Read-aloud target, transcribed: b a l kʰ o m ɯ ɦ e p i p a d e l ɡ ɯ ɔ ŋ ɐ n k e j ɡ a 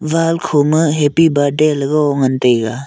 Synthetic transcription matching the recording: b a l kʰ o m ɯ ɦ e p i b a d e l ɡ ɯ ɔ ŋ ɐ n t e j ɡ a